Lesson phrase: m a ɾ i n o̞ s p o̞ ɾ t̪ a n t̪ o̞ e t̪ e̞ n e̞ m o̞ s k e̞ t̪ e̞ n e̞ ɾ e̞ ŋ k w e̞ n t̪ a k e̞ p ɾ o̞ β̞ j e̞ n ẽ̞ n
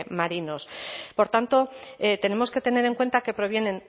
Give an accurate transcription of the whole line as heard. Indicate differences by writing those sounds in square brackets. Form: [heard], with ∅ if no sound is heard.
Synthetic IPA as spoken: m a ɾ i n o̞ s p o̞ ɾ t̪ a n t̪ o̞ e t̪ e̞ n e̞ m o̞ s k e̞ t̪ e̞ n e̞ ɾ e̞ ŋ k w e̞ n t̪ a k e̞ p ɾ o̞ β̞ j e̞ n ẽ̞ n